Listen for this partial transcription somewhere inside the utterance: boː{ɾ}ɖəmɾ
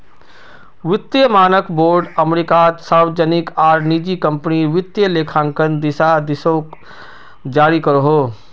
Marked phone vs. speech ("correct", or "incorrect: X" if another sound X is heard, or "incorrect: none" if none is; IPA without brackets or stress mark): correct